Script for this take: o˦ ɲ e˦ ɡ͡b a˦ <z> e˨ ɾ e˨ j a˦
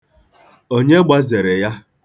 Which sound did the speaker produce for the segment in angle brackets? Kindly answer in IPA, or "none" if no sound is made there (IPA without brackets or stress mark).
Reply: z